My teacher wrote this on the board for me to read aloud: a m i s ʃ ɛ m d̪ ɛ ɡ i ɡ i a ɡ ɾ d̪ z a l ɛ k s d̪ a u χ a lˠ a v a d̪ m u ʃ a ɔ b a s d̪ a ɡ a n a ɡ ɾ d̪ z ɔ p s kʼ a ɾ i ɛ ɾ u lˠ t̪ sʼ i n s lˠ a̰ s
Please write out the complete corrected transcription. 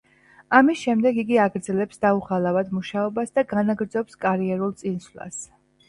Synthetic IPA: a m i s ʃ ɛ m d̪ ɛ ɡ i ɡ i a ɡ ɾ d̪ z ɛ l ɛ p s d̪ a u χ a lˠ a v a d̪ m u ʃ a ɔ b a s d̪ a ɡ a n a ɡ ɾ d̪ z ɔ p s kʼ a ɾ i ɛ ɾ u lˠ t̪ sʼ i n s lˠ a̰ s